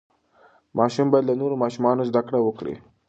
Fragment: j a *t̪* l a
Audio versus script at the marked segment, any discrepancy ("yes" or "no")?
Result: yes